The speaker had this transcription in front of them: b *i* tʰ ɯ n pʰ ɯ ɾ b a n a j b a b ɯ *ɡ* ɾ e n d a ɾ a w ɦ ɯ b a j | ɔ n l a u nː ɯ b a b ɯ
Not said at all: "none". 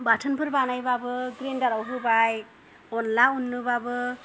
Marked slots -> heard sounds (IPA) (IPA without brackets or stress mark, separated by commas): a, ɡ